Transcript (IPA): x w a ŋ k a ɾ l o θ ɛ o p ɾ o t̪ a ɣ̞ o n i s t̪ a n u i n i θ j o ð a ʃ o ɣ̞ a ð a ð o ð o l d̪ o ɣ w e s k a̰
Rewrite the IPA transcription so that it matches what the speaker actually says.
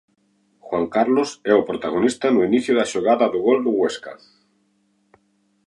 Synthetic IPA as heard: x w a ŋ k a ɾ l o s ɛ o p ɾ o t̪ a ɣ̞ o n i s t̪ a n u i n i θ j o ð a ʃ o ɣ̞ a ð a ð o ɣ o l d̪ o ɣ w e s k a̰

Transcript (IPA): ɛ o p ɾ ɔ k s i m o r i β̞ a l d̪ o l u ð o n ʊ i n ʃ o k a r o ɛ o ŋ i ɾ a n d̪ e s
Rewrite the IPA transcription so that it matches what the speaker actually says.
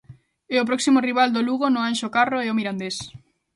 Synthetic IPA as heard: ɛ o p ɾ ɔ k s i m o r i β̞ a l d̪ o l u ɣ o n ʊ a n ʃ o k a r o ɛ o m i ɾ a n d̪ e s

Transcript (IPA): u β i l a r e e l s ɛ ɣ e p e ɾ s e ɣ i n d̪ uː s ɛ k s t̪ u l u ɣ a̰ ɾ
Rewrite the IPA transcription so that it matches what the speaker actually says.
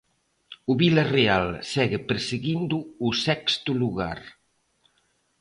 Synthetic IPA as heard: u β i l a r e a l s ɛ ɣ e p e ɾ s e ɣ i n d̪ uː s ɛ k s t̪ u l u ɣ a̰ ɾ

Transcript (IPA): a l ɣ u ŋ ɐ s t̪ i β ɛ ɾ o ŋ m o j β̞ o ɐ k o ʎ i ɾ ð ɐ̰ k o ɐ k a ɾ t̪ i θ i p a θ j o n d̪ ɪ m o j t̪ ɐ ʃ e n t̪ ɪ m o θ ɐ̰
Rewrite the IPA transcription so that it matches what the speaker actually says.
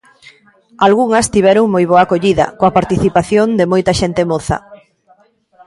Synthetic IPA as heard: a l ɣ u ŋ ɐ s t̪ i β ɛ ɾ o ŋ m o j β̞ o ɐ k o ʎ i ð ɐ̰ k o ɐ p a ɾ t̪ i θ i p a θ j o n d̪ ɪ m o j t̪ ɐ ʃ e n t̪ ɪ m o θ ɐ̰

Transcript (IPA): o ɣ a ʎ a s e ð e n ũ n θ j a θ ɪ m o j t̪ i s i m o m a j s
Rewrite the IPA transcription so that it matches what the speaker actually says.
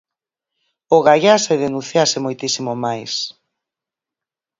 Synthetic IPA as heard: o ɣ a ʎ a s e ð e n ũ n θ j a s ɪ m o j t̪ i s i m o m a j s

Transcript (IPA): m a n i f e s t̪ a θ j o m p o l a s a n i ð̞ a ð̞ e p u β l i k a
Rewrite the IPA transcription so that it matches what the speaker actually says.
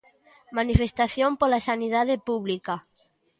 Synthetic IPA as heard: m a n i f e s t̪ a θ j o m p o l a s a n i ð̞ a ð̞ e p u β l i k a

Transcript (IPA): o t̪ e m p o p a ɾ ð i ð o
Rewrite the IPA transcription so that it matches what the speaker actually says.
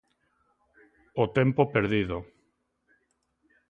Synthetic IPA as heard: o t̪ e m p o p e ɾ ð i ð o

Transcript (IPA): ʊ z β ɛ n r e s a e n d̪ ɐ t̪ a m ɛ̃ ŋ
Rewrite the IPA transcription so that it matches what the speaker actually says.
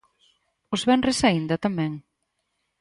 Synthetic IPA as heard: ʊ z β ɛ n r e s a i n d̪ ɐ t̪ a m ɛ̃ ŋ

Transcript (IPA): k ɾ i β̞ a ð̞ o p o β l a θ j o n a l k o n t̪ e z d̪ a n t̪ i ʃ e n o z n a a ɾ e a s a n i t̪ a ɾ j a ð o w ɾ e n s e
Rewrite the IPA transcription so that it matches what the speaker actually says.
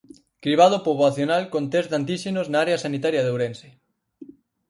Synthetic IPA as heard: k ɾ i β̞ a ð̞ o p o β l a θ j o n a l k o n t̪ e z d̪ a n t̪ i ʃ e n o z n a a ɾ e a s a n i t̪ a ɾ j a ð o w ɾ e n s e

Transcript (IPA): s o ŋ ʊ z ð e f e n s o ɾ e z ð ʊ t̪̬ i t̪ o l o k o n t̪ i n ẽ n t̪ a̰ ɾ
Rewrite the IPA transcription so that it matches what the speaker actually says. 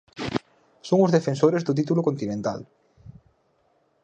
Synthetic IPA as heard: s o ŋ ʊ z ð e f e n s o ɾ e z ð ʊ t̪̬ i t̪ u l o k o n t̪ i n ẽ n t̪ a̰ l

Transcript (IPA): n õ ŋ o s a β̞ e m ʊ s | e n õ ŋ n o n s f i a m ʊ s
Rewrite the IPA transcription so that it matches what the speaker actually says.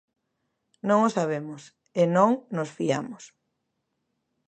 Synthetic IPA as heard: n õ ŋ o s a β̞ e m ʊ s | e n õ ŋ n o s f i a m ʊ s

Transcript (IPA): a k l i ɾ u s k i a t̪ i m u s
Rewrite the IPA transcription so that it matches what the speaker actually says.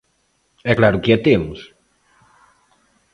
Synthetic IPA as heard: ɛ k l a ɾ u k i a t̪ e m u s

